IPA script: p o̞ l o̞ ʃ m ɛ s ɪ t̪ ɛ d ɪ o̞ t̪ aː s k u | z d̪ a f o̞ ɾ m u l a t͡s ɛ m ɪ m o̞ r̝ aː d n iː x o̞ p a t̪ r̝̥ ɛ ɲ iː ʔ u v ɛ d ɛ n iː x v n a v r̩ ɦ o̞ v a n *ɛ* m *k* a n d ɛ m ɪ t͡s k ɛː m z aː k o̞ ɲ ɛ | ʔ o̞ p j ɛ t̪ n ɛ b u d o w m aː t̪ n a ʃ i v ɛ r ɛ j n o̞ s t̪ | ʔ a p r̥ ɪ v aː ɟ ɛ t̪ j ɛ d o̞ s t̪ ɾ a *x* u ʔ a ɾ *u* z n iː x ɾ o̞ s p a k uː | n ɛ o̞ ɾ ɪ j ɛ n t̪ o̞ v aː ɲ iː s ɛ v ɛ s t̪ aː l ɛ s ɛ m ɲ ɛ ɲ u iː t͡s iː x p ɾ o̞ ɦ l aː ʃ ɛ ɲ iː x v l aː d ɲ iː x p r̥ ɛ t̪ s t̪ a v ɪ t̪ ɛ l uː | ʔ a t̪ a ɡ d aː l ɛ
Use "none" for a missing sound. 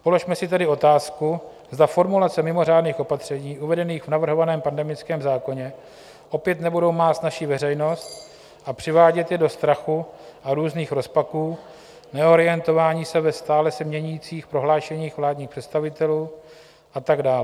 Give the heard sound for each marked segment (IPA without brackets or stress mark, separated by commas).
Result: ɛː, p, x, uː